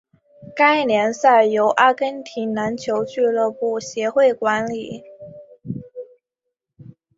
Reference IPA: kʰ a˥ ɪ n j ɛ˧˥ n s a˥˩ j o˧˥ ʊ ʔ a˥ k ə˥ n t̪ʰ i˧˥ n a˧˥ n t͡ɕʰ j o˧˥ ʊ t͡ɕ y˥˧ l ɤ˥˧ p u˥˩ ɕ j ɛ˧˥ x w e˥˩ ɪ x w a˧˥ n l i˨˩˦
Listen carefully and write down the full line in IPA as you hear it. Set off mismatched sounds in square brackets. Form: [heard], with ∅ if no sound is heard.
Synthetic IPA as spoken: [k] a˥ ɪ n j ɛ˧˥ n s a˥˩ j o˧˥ ʊ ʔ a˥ k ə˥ n t̪ʰ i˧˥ n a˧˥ n t͡ɕʰ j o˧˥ ʊ t͡ɕ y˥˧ l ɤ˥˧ p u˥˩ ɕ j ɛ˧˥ x w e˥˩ ɪ [k] w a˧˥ n l i˨˩˦